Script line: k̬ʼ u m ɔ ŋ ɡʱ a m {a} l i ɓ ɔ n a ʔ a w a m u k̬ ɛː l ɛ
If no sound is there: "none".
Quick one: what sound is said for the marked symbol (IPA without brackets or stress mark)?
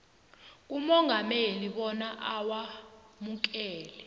e